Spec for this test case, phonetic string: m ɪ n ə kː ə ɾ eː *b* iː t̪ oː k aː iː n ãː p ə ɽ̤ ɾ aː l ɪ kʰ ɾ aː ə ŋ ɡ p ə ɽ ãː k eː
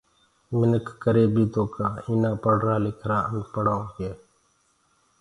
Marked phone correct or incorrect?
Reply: correct